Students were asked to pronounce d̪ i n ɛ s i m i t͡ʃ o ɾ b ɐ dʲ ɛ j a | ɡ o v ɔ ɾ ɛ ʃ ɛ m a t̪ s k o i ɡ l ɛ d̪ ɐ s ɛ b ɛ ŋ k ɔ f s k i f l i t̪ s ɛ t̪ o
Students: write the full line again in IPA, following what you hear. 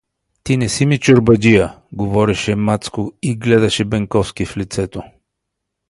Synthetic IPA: t̪ i n ɛ s i m i t͡ʃ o ɾ b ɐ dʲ i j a | ɡ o v ɔ ɾ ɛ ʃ ɛ m a t̪ s k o i ɡ l ɛ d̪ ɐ ʃ ɛ b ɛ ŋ k ɔ f s k i f l i t̪ s ɛ t̪ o